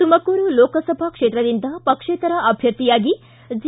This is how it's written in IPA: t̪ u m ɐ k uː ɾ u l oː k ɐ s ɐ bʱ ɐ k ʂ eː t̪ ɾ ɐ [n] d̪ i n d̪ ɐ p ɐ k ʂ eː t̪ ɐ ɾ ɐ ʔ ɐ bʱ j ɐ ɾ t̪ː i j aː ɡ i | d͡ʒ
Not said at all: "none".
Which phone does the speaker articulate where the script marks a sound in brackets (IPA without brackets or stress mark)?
none